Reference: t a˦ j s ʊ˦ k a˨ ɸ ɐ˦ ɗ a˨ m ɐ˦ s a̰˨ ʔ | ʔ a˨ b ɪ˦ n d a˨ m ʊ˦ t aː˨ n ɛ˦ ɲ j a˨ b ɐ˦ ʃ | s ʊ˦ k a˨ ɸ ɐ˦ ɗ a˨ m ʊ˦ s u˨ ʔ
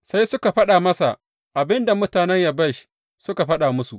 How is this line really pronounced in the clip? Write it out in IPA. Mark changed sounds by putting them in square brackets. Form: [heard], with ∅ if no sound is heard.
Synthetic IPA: [s] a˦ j s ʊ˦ k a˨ ɸ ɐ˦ ɗ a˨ m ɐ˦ s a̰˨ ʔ | ʔ a˨ b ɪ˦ n d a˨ m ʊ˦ t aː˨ n ɛ˦ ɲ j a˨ b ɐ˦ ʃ | s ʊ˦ k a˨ ɸ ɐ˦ ɗ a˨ m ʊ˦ s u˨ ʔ